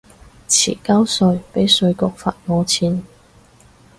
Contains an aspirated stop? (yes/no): yes